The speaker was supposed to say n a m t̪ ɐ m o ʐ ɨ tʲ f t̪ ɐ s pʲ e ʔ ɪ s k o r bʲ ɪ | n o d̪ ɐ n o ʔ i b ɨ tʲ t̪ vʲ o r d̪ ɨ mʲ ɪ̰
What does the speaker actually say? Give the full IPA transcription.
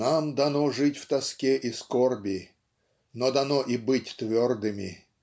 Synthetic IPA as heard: n a m d̪ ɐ n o ʐ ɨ tʲ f t̪ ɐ s kʲ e ʔ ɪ s k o r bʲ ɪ | n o d̪ ɐ n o ʔ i b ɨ tʲ t̪ vʲ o r d̪ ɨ mʲ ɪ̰